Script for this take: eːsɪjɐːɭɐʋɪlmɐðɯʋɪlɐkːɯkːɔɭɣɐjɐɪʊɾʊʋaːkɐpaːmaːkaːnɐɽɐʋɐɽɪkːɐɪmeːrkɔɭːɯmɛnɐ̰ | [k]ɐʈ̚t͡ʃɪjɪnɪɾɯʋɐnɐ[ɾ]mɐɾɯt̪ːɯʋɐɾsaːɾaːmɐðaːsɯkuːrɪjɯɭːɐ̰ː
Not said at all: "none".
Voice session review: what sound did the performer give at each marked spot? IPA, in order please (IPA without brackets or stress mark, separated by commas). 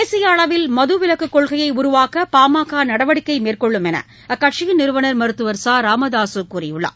k, ɾ